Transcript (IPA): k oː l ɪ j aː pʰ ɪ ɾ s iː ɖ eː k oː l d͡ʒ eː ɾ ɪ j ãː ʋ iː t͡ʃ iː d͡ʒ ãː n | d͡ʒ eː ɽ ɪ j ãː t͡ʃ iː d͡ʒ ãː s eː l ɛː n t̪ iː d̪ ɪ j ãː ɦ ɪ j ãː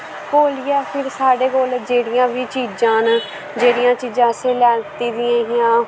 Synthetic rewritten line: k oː l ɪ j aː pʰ ɪ ɾ s aː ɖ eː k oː l d͡ʒ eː ɽ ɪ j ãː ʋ iː t͡ʃ iː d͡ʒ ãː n | d͡ʒ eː ɽ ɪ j ãː t͡ʃ iː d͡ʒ ãː s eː l ɛː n t̪ iː d̪ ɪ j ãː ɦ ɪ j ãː